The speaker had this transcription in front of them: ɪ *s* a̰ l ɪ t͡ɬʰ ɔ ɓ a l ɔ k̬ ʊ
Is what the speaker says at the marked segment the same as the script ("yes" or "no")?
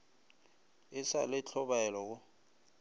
yes